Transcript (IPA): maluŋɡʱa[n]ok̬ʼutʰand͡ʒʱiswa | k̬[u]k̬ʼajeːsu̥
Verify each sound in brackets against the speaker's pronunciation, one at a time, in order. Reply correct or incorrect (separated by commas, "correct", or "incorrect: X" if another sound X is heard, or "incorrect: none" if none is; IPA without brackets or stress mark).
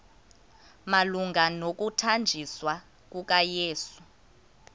correct, correct